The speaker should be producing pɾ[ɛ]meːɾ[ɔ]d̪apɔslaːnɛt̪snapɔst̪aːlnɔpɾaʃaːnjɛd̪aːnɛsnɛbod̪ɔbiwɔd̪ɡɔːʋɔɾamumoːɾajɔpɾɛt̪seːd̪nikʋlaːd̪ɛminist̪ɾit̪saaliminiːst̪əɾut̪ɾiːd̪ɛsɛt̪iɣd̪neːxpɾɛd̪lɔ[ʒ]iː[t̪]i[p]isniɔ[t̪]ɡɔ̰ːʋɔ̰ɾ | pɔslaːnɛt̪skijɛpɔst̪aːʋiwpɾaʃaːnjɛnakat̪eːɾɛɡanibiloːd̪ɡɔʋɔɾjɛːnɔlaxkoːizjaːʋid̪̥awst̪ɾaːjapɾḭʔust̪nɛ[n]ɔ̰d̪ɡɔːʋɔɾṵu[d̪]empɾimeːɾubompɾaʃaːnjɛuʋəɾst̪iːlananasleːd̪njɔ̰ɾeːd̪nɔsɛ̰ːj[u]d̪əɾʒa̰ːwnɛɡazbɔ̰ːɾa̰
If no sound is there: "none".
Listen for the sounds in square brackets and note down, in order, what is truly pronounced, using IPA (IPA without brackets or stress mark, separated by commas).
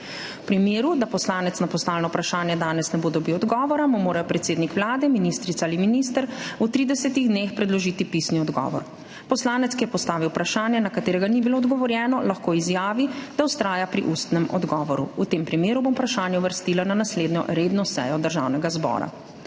i, u, ʒ, t̪, p, d̪, m, t̪, ɔ